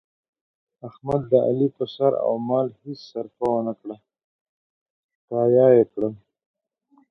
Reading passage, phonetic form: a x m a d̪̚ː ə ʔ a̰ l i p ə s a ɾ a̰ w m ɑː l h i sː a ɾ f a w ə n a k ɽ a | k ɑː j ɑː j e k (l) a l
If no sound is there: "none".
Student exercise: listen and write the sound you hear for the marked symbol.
ɽ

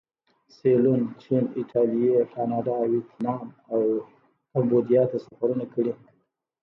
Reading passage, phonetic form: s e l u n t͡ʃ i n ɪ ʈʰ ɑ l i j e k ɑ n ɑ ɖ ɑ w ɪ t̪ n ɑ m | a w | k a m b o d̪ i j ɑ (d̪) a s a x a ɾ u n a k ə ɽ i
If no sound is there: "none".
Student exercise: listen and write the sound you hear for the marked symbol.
t̪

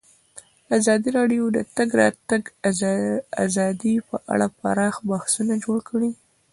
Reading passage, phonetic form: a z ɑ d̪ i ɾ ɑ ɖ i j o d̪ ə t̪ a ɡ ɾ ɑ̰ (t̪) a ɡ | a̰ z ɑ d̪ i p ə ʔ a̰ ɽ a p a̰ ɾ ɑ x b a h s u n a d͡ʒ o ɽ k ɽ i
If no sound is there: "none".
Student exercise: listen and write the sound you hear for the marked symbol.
t̪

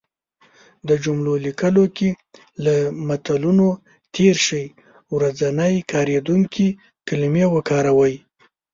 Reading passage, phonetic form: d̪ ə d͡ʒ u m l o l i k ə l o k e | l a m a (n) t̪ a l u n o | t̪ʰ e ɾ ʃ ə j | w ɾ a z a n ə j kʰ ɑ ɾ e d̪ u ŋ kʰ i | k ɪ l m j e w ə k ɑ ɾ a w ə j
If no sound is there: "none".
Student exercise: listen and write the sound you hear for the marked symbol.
none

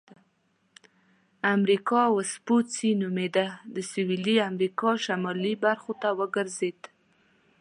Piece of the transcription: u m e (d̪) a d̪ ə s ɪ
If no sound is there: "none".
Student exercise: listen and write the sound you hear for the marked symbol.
d̪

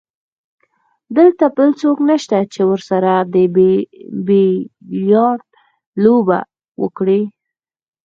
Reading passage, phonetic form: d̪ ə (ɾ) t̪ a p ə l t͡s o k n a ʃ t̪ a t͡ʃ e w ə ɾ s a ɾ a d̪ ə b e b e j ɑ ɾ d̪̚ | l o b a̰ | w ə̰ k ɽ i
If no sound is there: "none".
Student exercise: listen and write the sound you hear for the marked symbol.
l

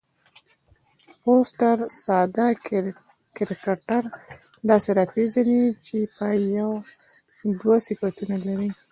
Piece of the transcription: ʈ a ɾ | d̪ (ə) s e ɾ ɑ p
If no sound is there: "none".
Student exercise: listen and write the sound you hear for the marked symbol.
ɑ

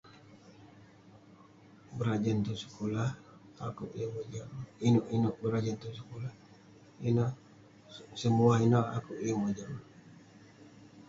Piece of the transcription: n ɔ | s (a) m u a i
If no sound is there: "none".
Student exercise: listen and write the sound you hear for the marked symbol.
ə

